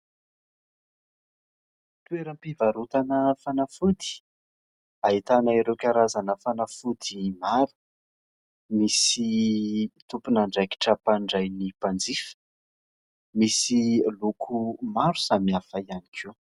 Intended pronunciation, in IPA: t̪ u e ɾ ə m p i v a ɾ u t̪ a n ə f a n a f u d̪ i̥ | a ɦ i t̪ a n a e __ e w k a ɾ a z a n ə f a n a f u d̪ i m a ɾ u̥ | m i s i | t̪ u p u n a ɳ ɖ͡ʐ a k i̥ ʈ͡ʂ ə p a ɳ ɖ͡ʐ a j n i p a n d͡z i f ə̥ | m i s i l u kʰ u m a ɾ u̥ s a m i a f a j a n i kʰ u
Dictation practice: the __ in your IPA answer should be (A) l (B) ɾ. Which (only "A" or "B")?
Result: B